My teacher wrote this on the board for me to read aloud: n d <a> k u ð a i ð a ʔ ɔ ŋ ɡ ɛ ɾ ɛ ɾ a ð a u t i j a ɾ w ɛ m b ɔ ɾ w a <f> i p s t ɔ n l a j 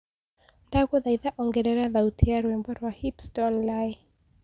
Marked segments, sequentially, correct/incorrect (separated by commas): correct, incorrect